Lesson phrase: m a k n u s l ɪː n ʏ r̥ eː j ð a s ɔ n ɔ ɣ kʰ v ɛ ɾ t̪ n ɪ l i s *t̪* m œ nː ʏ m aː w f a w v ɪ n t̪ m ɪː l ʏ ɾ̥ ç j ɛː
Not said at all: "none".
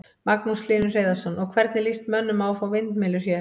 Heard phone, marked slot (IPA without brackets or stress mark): t̪